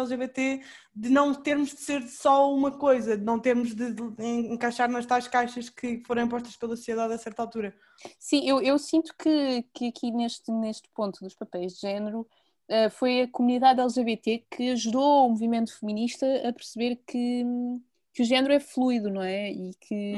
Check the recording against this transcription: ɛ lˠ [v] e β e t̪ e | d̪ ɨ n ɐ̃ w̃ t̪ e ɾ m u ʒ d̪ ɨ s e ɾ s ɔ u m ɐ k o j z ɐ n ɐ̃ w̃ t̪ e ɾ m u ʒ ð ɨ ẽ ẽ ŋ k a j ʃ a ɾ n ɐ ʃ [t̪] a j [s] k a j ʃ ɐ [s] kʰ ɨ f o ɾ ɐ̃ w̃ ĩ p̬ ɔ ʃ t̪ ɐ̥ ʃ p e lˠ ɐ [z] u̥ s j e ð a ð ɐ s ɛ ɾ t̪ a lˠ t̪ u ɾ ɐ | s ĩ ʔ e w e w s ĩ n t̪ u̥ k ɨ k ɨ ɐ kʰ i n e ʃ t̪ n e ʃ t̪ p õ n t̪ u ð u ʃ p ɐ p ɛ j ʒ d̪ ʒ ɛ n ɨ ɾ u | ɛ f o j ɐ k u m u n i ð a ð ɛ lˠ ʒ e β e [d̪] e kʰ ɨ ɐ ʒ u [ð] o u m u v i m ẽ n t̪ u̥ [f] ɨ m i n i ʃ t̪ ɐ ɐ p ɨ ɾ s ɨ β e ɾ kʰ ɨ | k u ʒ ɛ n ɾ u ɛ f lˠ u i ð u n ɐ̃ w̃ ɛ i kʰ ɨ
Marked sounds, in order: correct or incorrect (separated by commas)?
incorrect, correct, incorrect, incorrect, incorrect, incorrect, correct, correct